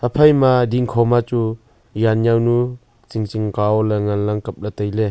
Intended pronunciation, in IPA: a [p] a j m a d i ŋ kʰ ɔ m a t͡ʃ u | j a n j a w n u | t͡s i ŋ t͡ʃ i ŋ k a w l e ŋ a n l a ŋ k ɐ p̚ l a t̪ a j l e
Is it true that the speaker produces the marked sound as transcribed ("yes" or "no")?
no